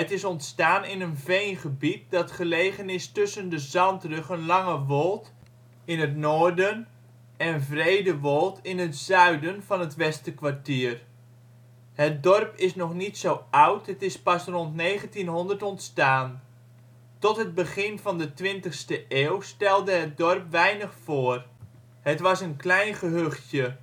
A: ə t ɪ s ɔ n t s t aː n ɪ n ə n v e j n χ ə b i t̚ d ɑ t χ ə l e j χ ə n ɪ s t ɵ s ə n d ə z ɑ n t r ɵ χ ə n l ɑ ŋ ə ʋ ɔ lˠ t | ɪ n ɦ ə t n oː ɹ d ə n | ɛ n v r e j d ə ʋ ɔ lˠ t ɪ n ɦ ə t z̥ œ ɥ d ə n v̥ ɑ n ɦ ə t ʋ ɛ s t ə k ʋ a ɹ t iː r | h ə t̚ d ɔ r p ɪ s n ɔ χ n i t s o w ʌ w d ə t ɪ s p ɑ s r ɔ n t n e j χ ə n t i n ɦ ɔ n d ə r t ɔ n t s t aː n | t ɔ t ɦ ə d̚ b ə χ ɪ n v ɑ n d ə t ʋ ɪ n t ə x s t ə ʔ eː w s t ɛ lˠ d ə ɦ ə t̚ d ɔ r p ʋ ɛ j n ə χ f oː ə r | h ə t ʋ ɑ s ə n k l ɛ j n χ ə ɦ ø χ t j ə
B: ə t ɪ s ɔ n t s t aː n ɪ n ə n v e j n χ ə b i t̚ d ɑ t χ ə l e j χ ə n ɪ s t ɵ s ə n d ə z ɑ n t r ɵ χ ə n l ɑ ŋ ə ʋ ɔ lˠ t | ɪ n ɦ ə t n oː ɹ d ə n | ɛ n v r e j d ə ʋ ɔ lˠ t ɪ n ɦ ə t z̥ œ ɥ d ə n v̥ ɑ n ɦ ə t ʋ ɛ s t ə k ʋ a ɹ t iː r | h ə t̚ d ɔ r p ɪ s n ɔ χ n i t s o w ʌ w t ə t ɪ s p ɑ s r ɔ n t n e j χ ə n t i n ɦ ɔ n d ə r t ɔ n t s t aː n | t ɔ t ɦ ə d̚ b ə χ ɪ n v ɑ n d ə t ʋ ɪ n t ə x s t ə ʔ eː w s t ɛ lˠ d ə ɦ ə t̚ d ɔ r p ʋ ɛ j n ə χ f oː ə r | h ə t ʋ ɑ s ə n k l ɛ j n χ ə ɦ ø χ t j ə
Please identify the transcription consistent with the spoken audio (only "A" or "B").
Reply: B